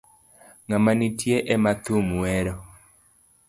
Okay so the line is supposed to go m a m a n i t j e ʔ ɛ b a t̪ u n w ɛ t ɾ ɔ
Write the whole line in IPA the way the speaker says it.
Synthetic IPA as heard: ŋ a m a n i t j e ʔ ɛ m a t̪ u m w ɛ ɾ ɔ